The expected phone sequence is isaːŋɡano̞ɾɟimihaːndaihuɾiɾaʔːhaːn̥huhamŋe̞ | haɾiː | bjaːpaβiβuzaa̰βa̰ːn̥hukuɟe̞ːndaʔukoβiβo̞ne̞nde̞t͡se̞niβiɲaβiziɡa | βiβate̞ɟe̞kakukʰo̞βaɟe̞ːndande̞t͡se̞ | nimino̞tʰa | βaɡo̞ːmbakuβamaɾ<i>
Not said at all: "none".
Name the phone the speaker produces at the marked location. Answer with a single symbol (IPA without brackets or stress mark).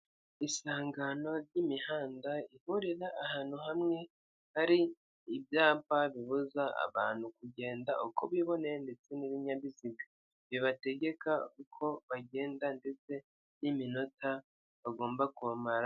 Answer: a